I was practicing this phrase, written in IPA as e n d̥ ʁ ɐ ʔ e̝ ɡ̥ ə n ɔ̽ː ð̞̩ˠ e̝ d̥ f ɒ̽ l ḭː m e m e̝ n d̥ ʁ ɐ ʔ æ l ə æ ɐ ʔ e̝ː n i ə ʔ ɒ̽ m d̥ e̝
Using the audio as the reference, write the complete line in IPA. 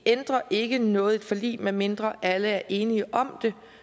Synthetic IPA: e n d̥ ʁ ɐ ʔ e̝ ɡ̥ ə n ɔ̽ː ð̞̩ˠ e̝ d̥ f ɒ̽ l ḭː m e m e̝ n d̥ ʁ ɐ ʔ æ l ə æ ɐ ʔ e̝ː n i ə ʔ ɒ̽ m d̥ e̝